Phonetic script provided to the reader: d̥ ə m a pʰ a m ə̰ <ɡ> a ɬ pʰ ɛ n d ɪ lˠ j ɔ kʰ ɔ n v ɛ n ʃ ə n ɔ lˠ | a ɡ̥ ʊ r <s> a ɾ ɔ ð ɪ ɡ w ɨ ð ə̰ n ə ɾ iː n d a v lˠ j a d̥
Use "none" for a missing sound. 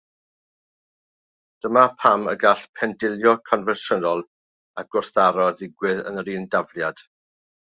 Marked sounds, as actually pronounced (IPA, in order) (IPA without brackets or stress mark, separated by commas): ɡ, θ